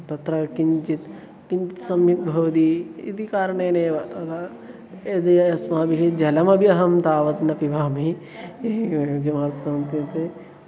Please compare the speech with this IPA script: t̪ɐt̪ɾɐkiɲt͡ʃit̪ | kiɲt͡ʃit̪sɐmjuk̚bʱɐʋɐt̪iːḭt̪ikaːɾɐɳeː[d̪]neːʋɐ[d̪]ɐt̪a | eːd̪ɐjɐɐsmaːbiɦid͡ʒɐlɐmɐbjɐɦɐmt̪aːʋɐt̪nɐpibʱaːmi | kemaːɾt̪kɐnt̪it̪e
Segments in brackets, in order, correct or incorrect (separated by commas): incorrect, incorrect